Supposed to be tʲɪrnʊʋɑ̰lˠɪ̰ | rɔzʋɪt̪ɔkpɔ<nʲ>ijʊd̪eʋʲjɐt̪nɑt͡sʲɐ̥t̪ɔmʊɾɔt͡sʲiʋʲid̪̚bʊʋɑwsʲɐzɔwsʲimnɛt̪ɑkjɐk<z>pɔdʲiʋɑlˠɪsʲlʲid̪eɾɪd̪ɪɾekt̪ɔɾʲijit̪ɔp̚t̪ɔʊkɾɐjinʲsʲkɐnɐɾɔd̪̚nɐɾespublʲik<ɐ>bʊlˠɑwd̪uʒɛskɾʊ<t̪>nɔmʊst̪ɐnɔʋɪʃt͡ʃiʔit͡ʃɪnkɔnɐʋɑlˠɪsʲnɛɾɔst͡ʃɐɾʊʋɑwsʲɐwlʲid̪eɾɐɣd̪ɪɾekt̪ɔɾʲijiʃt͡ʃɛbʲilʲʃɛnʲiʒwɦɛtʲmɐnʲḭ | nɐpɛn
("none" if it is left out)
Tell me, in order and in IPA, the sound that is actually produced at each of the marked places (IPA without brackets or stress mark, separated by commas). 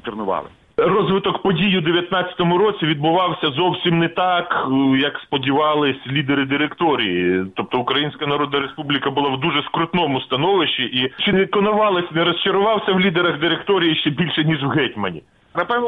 dʲ, s, ɐ, t̪